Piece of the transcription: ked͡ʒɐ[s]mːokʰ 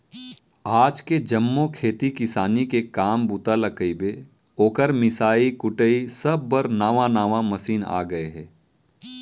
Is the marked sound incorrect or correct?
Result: incorrect